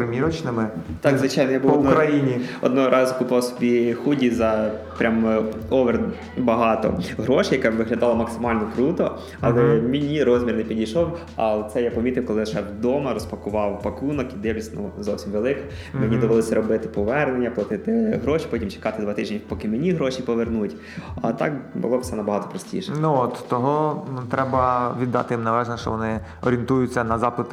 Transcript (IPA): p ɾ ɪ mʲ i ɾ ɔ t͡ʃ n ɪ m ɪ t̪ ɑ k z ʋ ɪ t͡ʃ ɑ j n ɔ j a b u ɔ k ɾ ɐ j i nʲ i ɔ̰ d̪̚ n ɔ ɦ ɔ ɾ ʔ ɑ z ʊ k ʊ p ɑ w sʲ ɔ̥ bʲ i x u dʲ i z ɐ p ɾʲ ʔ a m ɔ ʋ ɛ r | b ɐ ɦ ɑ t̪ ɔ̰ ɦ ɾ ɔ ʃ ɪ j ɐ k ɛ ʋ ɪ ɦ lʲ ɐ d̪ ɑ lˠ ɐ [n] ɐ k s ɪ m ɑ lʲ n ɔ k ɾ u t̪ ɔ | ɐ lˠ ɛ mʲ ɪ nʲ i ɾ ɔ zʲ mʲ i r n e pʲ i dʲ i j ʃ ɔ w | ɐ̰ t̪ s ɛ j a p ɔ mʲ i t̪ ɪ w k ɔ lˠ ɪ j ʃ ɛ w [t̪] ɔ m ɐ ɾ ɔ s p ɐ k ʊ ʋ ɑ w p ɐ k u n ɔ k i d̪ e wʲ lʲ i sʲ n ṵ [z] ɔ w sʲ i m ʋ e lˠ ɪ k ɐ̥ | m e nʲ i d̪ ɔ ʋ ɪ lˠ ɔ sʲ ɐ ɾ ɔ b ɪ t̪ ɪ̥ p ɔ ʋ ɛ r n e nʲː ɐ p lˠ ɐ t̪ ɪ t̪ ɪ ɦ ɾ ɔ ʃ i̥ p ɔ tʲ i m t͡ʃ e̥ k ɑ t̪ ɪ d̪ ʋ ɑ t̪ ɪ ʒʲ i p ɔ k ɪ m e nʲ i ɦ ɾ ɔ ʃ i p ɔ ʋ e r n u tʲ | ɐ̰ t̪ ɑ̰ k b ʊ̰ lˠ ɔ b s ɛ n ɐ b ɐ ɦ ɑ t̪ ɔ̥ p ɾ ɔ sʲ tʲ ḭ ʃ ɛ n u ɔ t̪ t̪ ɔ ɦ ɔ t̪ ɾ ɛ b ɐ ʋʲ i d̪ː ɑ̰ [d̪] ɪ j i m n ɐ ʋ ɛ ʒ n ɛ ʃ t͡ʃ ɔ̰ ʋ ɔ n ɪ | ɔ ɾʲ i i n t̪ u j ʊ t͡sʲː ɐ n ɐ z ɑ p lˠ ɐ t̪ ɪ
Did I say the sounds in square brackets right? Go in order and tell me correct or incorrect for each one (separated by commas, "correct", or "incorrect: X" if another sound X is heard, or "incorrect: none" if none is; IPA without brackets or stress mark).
incorrect: m, incorrect: d̪, correct, incorrect: t̪